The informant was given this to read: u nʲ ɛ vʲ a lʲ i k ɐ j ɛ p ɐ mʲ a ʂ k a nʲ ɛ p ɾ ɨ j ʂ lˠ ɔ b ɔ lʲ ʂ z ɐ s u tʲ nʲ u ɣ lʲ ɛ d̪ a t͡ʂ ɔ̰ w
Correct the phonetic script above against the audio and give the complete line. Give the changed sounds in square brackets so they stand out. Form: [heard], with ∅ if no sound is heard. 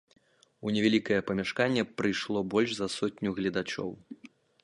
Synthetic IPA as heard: u nʲ ɛ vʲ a lʲ i k ɐ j ɛ p ɐ mʲ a ʂ k a [nʲː] ɛ p ɾ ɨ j ʂ lˠ ɔ b ɔ lʲ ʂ z ɐ s [ɔ] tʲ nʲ u ɣ lʲ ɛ d̪ a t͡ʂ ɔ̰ w